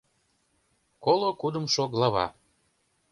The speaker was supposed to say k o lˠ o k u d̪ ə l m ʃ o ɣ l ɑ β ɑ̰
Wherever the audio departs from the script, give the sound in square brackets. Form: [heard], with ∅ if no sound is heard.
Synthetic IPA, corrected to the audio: k o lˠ o k u d̪ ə [∅] m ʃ o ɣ l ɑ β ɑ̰